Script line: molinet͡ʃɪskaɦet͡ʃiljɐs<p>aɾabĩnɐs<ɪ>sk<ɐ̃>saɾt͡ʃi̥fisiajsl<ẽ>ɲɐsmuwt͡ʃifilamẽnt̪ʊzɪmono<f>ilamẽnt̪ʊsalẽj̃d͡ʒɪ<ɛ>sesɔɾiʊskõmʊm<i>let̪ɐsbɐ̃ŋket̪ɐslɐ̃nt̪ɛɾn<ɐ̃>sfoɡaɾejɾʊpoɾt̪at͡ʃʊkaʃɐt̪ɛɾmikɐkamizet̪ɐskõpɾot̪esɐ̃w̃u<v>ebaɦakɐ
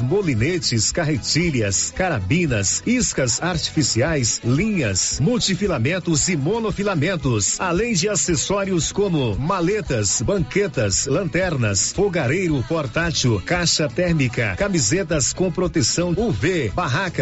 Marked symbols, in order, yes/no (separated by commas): no, no, no, no, yes, no, no, no, yes